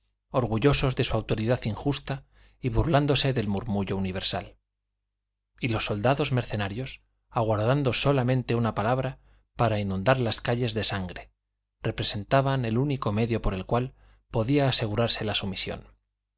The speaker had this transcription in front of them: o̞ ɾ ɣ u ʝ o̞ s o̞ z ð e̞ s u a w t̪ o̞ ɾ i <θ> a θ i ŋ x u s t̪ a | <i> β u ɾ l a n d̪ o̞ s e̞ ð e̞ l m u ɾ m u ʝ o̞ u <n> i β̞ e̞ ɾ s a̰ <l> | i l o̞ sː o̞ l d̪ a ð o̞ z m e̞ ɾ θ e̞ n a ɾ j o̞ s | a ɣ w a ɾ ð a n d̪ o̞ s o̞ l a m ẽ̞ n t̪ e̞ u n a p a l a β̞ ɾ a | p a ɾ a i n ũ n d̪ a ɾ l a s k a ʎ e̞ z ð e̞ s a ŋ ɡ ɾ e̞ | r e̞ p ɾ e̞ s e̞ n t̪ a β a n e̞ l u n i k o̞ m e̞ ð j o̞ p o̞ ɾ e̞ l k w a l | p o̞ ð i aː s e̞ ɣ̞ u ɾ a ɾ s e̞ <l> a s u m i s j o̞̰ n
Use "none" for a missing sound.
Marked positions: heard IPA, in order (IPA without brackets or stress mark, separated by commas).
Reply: ð, i, n, l, l